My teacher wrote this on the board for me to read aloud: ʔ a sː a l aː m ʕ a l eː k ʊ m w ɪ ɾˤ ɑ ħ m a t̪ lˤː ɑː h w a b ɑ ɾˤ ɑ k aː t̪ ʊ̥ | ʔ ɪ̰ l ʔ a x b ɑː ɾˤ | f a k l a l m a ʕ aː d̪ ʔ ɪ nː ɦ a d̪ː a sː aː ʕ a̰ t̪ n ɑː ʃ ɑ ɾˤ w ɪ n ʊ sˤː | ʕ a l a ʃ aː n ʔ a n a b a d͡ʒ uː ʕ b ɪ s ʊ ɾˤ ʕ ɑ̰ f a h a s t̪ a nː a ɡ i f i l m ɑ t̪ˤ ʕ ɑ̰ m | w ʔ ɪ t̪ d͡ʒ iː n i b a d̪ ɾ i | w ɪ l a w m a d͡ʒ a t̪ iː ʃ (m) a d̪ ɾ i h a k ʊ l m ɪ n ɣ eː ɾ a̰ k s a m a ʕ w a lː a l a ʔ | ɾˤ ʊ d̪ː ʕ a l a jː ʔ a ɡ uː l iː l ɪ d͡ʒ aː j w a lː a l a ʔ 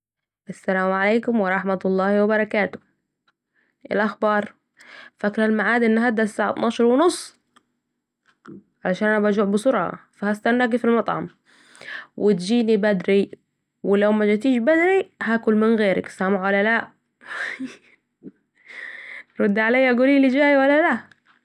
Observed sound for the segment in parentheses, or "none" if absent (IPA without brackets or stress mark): b